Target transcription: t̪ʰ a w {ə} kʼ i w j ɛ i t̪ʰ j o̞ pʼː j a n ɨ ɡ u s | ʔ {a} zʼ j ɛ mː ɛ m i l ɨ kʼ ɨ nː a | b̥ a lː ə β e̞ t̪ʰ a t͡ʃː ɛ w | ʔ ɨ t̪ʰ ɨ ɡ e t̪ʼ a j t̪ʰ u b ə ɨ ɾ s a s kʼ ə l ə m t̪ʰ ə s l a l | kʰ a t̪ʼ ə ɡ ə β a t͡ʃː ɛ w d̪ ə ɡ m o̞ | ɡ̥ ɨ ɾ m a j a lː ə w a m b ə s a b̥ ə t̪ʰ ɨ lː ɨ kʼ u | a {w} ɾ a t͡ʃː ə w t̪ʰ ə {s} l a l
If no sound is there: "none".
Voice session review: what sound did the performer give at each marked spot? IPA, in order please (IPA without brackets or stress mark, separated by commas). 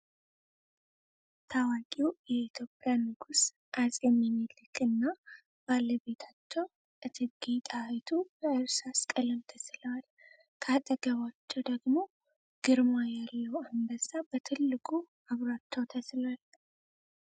a, a, β, s